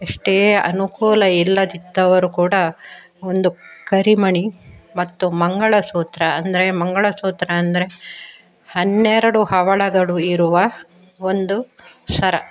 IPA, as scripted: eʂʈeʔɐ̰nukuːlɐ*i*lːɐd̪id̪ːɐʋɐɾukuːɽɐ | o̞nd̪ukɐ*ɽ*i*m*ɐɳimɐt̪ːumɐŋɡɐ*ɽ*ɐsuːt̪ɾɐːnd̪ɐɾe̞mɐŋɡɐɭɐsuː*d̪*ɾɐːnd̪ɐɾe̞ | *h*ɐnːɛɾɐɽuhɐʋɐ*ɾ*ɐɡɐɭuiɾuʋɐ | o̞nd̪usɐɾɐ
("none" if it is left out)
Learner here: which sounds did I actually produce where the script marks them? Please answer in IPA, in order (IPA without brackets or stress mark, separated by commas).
i, ɾ, m, ɭ, t̪, h, ɭ